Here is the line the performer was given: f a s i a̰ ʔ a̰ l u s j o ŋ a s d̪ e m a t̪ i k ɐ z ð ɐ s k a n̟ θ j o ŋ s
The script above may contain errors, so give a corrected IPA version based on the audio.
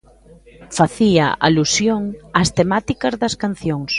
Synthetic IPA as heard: f a θ i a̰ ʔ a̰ l u s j o ŋ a s t̪ e m a t̪ i k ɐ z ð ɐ s k a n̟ θ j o ŋ s